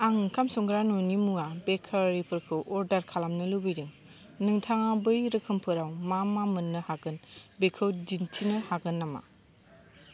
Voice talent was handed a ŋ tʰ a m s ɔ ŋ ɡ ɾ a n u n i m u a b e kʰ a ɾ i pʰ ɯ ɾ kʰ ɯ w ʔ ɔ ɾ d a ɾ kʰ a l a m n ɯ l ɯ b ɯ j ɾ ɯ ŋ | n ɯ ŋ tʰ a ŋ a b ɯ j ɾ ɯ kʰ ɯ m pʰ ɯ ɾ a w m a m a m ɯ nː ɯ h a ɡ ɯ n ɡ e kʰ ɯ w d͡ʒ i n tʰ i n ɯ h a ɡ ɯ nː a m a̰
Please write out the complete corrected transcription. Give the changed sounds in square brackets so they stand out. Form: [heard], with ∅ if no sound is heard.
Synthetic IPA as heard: a ŋ [kʰ] a m s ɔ ŋ ɡ ɾ a n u n i m u a b e kʰ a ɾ i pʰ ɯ ɾ kʰ ɯ w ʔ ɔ ɾ d a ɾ kʰ a l a m n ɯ l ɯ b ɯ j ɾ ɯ ŋ | n ɯ ŋ tʰ a ŋ a b ɯ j ɾ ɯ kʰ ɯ m pʰ ɯ ɾ a w m a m a m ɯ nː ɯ h a ɡ ɯ n [b] e kʰ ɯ w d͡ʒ i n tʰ i n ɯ h a ɡ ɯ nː a m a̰